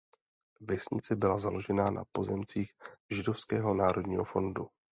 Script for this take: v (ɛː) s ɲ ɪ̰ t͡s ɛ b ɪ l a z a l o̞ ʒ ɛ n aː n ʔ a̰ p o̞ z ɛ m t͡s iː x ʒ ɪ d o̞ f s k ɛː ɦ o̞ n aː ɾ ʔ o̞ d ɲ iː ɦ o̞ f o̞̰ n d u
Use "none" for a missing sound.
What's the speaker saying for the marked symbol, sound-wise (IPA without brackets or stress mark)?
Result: ɛ